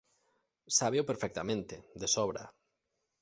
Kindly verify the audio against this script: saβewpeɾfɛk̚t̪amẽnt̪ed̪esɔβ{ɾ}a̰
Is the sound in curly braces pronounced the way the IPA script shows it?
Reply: yes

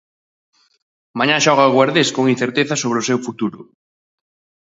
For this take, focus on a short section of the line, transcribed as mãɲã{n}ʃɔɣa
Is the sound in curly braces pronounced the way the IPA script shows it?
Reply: no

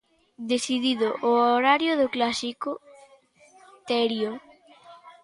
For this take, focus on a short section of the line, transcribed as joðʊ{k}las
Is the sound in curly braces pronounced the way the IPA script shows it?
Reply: yes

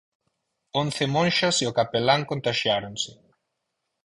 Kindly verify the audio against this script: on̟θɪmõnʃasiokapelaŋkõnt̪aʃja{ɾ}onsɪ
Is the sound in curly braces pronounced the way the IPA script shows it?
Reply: yes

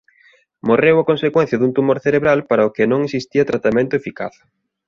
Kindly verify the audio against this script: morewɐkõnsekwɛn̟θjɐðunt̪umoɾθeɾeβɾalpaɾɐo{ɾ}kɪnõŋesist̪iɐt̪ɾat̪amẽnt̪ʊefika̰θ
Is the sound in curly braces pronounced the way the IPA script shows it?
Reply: no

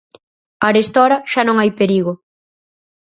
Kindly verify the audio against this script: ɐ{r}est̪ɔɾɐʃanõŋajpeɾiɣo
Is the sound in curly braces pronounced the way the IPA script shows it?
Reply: no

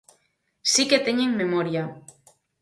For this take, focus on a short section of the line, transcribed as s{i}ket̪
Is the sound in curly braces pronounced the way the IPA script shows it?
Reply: yes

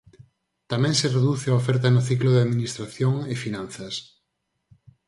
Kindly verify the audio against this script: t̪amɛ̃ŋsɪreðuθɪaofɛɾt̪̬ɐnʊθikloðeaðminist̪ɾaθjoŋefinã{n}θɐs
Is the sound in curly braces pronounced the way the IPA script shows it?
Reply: yes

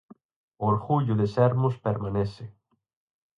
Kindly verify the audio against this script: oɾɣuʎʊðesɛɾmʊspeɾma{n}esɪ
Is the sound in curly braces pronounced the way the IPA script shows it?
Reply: yes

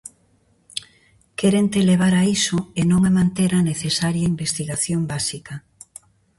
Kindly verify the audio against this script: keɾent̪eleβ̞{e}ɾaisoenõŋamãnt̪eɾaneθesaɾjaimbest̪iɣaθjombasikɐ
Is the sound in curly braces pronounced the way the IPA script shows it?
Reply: no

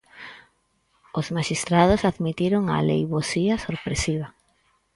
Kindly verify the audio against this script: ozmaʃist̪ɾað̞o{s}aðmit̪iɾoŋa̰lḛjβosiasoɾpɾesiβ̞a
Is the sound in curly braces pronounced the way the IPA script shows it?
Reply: yes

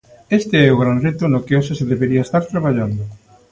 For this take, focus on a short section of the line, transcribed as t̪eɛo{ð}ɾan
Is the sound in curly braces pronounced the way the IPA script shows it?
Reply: no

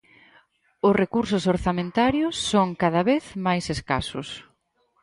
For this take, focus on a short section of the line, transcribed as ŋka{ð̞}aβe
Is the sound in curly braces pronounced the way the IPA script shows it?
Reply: yes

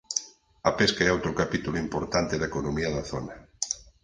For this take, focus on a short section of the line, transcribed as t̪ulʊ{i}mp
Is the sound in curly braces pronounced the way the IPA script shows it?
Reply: yes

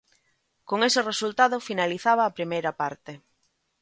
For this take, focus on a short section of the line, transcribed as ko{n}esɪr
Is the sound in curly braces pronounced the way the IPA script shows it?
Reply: no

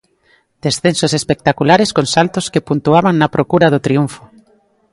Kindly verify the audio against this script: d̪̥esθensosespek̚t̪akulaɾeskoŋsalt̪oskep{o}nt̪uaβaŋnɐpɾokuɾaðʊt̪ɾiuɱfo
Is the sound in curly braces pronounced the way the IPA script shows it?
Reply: no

